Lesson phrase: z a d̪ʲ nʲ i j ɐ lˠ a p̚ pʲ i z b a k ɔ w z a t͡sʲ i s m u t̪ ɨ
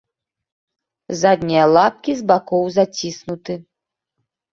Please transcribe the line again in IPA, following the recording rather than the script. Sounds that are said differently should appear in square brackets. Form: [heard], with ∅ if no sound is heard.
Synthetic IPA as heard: z a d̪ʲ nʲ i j ɐ lˠ a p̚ [kʲ] i z b a k ɔ w z a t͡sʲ i s [n] u t̪ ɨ

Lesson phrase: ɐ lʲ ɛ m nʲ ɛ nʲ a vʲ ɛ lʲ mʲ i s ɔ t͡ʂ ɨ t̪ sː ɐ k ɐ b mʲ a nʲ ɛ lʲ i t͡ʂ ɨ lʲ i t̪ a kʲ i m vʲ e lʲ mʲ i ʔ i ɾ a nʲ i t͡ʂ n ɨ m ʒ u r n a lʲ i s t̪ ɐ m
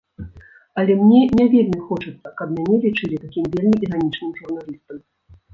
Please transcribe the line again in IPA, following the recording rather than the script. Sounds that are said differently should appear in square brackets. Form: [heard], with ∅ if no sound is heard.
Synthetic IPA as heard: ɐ lʲ ɛ m nʲ ɛ nʲ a vʲ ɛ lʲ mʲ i [x] ɔ t͡ʂ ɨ t̪ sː ɐ k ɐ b mʲ a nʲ ɛ lʲ i t͡ʂ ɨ lʲ i t̪ a kʲ i m vʲ e lʲ mʲ i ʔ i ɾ a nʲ i t͡ʂ n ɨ m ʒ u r n a lʲ i s t̪ ɐ m

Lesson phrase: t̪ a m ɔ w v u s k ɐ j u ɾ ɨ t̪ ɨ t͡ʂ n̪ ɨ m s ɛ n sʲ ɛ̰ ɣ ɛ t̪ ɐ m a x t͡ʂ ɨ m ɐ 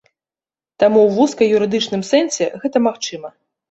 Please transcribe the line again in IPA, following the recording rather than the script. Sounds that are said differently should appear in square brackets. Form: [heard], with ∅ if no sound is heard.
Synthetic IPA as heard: t̪ a m [u] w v u s k ɐ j u ɾ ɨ [d̪] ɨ t͡ʂ n̪ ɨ m s ɛ n sʲ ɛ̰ ɣ ɛ t̪ ɐ m a x t͡ʂ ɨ m ɐ

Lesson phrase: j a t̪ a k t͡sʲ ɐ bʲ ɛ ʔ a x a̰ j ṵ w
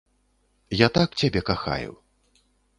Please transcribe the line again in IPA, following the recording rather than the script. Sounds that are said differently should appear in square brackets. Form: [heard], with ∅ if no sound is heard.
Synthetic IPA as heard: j a t̪ a k t͡sʲ [a] bʲ ɛ [k] a x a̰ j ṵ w

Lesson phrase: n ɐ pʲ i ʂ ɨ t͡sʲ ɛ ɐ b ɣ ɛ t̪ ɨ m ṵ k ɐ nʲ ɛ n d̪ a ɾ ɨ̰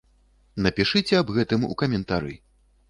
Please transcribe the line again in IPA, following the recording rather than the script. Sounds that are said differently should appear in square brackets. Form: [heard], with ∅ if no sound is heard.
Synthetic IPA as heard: n ɐ pʲ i ʂ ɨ t͡sʲ ɛ ɐ b ɣ ɛ t̪ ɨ m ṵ k ɐ [mʲ] ɛ n [t̪] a ɾ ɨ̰

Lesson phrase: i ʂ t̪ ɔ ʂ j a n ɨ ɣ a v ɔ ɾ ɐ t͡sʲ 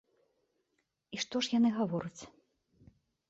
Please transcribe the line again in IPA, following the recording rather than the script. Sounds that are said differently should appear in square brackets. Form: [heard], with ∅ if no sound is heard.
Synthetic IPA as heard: i ʂ t̪ ɔ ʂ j a n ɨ ɣ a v ɔ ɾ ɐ t͡sʲ

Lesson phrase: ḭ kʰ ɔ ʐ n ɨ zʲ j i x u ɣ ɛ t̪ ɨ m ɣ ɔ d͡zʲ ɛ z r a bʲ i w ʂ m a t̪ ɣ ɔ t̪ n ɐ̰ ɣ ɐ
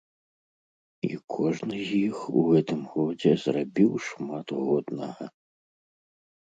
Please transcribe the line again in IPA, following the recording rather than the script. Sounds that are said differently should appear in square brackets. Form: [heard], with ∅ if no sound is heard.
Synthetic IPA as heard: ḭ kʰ ɔ ʐ n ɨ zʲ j i x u ɣ ɛ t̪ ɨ m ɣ ɔ d͡zʲ ɛ z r a bʲ i w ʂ m a t̪ ɣ ɔ [d̪] n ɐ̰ ɣ ɐ

